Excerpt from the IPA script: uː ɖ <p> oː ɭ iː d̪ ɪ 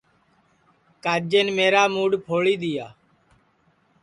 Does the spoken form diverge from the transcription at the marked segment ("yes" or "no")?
yes